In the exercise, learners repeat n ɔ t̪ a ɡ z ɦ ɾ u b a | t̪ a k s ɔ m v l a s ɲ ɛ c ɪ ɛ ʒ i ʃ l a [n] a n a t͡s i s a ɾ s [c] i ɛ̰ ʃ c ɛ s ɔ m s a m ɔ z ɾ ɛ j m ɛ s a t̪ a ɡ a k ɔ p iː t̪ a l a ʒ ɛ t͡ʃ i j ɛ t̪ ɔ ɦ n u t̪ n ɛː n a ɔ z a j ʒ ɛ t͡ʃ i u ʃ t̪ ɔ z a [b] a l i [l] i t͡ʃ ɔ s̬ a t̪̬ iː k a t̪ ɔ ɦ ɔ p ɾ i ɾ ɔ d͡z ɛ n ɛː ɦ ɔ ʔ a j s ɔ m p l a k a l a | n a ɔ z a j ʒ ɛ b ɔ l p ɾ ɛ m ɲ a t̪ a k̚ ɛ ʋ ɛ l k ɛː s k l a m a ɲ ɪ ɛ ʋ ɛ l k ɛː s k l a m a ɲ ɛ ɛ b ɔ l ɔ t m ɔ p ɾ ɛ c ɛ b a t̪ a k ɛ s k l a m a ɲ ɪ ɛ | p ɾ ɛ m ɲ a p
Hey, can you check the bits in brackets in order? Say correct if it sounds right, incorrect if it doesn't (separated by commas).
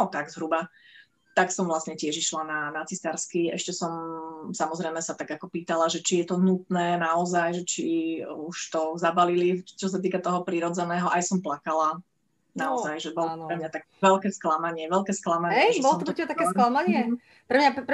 correct, incorrect, correct, correct